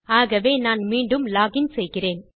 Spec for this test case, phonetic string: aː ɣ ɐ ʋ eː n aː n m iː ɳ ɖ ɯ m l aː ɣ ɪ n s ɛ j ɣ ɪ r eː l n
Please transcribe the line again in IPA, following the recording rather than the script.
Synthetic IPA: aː ɣ ɐ ʋ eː n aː n m iː ɳ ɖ ɯ m l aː ɣ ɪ n s ɛ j ɣ ɪ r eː n